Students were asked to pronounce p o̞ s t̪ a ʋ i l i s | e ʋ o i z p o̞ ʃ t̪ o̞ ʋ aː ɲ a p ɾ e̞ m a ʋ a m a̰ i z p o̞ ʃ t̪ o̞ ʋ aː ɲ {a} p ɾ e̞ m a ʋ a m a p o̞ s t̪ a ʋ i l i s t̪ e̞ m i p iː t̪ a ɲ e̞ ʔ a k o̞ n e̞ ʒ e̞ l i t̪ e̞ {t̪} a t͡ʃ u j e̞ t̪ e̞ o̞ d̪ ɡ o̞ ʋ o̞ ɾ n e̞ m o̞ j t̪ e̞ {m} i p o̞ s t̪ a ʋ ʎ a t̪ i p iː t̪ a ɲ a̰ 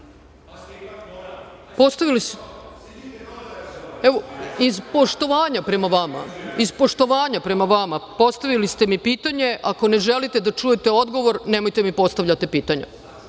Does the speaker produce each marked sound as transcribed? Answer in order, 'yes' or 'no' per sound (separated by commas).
yes, no, yes